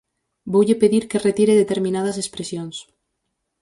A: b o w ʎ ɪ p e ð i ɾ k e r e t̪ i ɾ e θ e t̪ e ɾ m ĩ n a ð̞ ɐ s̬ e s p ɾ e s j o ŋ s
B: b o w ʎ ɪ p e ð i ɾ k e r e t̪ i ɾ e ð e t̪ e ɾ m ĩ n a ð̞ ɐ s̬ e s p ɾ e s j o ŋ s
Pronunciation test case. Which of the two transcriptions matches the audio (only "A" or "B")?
B